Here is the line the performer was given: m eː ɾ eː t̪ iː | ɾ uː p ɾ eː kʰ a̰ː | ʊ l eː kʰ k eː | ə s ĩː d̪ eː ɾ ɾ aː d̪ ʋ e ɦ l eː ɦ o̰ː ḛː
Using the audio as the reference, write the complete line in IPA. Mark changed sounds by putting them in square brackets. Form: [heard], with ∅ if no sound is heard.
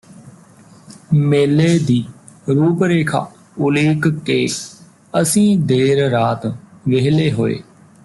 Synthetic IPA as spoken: m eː [l] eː [d̪] iː | ɾ uː p ɾ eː kʰ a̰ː | ʊ l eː [k] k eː | ə s ĩː d̪ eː ɾ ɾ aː [t̪] ʋ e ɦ l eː ɦ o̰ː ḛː